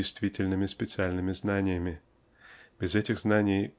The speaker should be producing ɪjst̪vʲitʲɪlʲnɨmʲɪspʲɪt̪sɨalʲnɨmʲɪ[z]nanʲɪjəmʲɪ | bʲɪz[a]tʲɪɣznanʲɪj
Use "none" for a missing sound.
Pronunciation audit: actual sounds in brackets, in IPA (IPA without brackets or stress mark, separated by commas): z, ɛ